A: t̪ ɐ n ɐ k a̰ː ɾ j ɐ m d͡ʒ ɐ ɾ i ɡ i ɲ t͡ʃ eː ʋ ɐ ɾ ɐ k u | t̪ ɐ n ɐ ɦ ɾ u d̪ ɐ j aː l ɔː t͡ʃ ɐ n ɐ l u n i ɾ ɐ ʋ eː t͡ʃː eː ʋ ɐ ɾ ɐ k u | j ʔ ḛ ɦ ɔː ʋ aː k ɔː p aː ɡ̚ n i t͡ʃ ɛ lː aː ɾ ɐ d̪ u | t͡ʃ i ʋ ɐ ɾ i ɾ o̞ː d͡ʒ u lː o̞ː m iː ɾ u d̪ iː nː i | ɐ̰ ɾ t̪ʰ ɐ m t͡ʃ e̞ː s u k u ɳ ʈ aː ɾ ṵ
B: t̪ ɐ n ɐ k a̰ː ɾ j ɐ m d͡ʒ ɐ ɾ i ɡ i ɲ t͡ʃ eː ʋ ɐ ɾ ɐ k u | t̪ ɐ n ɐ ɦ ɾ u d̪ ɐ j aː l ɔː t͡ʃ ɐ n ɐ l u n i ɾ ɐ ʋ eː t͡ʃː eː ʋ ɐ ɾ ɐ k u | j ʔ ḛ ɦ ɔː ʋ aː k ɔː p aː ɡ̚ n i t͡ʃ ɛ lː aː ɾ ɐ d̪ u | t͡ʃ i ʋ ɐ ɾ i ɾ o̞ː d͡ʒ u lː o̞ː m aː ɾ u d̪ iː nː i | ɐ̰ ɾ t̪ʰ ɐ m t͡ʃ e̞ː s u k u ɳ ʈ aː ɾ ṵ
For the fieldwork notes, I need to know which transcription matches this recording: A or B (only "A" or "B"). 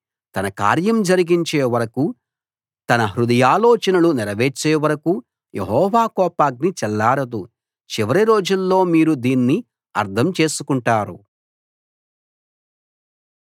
A